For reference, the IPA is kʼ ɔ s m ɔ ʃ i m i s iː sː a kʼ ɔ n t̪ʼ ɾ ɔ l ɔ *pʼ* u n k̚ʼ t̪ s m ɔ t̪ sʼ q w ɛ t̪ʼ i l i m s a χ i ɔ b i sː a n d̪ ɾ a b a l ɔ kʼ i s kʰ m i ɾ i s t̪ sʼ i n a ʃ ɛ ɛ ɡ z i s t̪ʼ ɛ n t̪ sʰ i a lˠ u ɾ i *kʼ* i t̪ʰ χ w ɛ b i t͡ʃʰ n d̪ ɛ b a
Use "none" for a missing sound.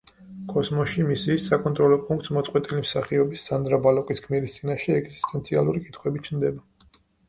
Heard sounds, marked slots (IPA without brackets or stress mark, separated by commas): pʼ, kʼ